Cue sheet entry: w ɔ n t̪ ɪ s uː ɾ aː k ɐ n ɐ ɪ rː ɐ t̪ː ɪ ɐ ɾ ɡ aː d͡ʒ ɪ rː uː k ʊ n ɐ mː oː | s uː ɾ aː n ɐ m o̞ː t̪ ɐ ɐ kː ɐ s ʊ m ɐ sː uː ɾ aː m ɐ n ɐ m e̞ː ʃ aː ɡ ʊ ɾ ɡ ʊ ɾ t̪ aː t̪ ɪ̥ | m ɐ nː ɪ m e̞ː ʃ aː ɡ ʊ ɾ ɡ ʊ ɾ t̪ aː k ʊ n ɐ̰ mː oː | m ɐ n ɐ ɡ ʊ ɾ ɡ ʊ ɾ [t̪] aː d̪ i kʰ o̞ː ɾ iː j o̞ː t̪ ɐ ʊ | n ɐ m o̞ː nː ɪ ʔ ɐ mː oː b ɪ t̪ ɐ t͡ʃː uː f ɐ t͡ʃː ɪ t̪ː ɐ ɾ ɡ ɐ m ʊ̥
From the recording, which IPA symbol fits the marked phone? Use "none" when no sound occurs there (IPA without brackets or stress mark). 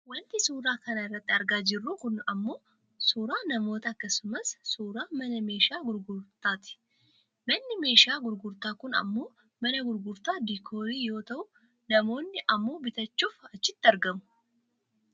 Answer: t̪